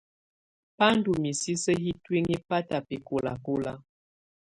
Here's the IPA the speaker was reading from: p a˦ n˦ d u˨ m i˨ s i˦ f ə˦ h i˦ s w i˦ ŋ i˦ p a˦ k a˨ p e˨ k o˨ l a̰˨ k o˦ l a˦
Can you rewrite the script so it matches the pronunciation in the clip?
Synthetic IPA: p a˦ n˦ d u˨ m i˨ s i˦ s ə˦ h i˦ t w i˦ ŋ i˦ p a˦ t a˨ p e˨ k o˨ l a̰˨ k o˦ l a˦

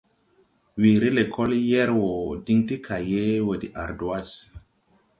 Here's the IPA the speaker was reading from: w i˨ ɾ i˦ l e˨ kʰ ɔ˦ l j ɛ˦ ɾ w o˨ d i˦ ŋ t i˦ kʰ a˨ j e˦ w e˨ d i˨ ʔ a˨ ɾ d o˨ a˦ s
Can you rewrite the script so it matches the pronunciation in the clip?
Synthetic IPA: w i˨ ɾ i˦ l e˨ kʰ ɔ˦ l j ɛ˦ ɾ w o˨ d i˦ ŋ t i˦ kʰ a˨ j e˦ w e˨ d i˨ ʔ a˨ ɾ d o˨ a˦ s

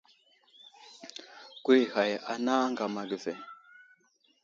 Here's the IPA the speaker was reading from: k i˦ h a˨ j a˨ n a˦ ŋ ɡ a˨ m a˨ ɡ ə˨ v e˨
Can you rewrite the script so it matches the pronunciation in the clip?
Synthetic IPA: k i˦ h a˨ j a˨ n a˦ ŋ ɡ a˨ m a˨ ɡ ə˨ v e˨

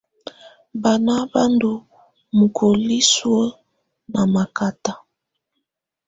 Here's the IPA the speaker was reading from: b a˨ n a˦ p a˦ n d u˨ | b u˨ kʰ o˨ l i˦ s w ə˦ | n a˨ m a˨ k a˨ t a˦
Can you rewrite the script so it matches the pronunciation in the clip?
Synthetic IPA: b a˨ n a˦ b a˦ n d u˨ | m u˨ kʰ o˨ l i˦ s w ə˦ | n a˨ m a˨ k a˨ t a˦

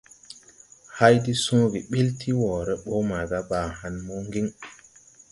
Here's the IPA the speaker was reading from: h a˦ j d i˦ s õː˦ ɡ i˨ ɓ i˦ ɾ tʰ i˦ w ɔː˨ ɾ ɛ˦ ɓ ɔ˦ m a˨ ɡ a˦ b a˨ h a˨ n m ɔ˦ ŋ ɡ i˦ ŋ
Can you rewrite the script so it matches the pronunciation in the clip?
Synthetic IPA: h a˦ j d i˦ s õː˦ ɡ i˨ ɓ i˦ l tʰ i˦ w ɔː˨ ɾ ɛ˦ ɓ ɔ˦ m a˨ ɡ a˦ b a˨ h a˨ n m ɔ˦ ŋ ɡ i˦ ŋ

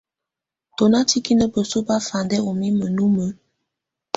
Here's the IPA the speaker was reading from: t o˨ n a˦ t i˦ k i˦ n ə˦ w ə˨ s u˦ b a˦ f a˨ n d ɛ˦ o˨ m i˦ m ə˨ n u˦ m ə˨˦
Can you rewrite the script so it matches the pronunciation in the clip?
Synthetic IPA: t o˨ n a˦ t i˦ k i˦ n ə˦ b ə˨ s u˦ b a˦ f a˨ n d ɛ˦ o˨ m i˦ m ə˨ n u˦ m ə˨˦

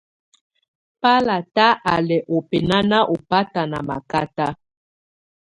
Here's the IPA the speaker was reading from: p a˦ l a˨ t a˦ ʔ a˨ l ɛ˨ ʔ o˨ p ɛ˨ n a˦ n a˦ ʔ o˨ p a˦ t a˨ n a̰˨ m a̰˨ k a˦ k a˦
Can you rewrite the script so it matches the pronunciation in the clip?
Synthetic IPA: p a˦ l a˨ t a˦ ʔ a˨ l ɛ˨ ʔ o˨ p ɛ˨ n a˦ n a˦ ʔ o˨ p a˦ t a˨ n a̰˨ m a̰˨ k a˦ t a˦

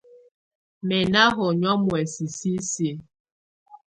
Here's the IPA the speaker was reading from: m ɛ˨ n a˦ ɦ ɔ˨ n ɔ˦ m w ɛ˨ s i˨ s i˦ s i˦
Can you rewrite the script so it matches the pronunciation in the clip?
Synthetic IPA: m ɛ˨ n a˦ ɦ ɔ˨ ɲ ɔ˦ m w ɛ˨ s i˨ s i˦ s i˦

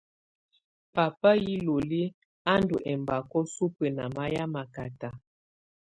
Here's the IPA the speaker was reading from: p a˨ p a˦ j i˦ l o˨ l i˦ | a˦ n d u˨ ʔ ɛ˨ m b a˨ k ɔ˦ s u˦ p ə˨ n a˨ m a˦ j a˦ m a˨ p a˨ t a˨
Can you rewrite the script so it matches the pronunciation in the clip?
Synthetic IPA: p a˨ p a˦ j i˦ l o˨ l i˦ | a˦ n d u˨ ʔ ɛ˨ m b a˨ k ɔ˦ s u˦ p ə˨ n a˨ m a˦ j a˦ m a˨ k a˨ t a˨

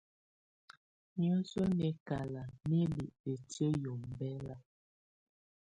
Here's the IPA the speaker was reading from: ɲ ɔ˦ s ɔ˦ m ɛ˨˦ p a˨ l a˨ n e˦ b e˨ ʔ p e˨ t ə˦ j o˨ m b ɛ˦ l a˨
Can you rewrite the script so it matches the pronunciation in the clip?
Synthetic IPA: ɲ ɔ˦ s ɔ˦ n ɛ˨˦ k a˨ l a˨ n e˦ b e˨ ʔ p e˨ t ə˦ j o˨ m b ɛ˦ l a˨

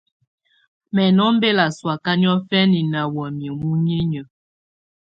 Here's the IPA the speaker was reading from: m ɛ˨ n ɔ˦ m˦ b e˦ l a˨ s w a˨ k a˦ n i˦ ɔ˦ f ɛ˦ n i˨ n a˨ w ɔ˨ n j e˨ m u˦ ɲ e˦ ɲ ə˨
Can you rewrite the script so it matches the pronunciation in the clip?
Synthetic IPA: m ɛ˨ n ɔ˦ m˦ b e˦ l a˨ s w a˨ k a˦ n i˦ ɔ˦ f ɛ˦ n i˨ n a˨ w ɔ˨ m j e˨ m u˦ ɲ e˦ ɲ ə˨

